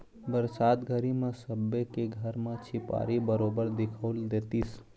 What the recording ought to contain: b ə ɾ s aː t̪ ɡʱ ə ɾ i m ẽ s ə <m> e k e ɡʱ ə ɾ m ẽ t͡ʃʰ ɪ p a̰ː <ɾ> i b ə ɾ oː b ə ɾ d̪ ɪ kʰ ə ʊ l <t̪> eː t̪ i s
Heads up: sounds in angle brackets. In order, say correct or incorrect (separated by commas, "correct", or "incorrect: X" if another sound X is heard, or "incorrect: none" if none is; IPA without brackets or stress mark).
incorrect: b, correct, incorrect: d̪